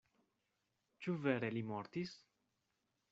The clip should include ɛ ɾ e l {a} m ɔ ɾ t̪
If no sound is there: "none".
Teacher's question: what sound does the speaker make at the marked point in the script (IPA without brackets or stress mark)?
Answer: i